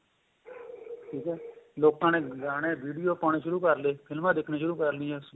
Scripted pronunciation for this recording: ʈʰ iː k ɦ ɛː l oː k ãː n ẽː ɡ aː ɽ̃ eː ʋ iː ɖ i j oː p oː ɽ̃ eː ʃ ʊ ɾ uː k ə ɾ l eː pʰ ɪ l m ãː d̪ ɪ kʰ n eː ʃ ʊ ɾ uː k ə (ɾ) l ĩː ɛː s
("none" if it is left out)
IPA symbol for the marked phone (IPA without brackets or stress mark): ɾ